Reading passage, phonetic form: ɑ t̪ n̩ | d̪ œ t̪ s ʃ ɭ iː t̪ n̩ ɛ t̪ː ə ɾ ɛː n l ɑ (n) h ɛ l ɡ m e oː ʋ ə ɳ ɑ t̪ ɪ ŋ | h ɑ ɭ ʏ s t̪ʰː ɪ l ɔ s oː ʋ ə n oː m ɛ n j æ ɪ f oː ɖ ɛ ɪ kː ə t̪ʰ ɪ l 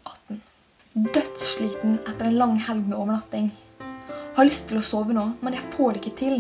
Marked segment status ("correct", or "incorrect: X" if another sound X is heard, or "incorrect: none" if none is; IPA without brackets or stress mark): incorrect: ŋ